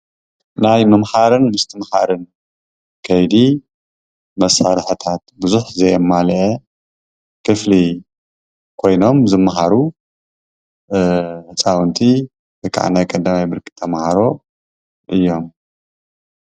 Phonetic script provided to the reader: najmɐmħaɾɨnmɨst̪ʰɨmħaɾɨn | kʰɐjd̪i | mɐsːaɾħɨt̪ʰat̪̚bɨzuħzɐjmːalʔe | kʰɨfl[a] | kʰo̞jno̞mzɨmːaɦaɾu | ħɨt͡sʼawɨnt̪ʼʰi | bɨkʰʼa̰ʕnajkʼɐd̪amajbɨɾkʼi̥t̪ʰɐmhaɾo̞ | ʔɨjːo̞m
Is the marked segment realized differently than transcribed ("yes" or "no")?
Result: yes